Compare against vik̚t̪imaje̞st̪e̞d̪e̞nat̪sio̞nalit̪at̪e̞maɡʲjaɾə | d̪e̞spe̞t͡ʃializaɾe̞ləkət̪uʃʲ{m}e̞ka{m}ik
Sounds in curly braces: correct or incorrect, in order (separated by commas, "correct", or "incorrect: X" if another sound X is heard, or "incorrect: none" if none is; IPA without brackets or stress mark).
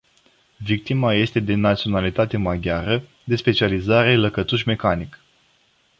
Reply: correct, incorrect: n